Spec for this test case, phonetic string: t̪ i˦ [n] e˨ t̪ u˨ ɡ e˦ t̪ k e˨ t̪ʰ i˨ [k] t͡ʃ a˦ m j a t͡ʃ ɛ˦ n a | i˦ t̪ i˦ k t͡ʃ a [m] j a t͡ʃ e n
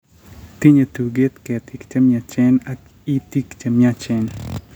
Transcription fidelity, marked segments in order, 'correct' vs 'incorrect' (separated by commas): incorrect, correct, correct